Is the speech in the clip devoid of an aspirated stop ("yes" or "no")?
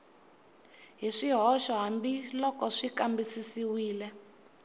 yes